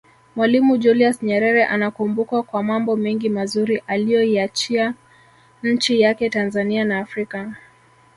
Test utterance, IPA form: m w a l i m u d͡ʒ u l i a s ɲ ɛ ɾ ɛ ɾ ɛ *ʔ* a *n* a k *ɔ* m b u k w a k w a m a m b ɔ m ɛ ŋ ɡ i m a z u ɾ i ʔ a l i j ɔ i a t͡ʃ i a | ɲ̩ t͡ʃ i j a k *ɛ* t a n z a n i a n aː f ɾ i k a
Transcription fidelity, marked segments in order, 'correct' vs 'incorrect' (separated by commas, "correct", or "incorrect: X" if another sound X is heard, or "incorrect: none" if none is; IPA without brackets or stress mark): correct, correct, incorrect: u, correct